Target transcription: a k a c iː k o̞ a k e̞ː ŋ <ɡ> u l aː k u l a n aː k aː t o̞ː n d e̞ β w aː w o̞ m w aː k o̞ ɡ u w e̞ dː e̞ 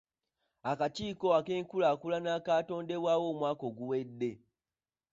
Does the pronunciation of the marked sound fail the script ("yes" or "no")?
yes